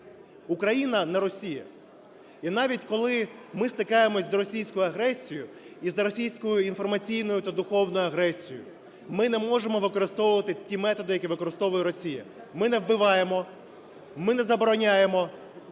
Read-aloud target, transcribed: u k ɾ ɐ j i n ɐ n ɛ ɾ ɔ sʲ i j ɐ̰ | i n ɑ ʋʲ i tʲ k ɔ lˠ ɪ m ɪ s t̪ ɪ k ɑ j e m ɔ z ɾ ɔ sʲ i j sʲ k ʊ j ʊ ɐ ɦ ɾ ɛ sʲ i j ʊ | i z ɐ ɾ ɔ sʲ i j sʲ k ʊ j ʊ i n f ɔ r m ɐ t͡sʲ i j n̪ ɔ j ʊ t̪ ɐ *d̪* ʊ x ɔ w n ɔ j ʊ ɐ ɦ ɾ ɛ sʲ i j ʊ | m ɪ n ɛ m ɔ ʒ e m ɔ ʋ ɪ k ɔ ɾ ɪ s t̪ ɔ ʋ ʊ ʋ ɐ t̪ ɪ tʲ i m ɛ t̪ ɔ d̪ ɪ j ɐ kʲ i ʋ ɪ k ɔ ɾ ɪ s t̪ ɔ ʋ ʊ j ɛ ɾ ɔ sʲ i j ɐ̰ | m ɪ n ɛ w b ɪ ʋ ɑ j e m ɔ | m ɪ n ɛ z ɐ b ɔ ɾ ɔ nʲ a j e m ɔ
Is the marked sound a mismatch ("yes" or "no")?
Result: no